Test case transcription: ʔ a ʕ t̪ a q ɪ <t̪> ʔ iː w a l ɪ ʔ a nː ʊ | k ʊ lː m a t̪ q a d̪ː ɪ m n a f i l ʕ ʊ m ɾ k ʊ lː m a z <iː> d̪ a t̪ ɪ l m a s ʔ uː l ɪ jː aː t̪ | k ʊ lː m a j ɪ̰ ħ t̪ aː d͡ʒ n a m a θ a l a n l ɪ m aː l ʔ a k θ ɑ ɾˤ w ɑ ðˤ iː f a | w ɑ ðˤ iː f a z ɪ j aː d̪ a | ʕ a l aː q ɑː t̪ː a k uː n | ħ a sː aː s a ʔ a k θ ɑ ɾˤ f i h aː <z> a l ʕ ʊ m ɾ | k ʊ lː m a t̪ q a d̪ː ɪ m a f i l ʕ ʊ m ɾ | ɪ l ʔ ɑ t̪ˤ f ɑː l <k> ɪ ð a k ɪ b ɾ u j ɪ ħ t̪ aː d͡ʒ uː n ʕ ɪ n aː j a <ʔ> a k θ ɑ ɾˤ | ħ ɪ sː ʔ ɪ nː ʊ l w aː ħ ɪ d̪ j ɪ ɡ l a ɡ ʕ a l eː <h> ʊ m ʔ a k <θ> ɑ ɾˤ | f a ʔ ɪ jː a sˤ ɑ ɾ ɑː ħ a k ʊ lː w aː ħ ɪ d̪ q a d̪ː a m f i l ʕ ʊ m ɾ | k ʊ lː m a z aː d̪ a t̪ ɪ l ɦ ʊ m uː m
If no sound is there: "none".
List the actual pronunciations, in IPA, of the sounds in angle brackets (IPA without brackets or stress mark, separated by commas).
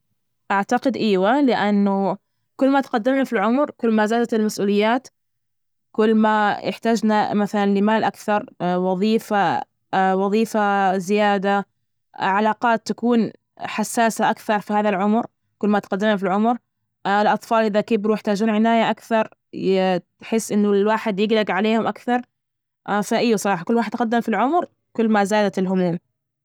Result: d̪, aː, ð, ʔ, ʔ, h, θ